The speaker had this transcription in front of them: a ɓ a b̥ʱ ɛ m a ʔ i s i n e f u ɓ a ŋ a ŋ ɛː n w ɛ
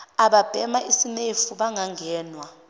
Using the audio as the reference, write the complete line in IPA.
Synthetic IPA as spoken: a ɓ a b̥ʱ ɛ m a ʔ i s i n e f u ɓ a ŋ a ŋ ɛː n w a